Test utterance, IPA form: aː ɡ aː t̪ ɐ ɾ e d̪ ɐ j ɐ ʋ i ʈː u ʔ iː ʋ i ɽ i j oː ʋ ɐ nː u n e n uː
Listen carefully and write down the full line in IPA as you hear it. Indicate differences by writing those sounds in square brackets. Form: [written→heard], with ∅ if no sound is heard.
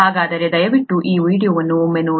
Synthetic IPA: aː ɡ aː [t̪→d̪] ɐ ɾ e d̪ ɐ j ɐ ʋ i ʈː u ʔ iː ʋ [i→iː] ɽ i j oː ʋ ɐ nː u [n→m] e n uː